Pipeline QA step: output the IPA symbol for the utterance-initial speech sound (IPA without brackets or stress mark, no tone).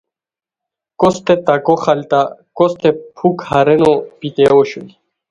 k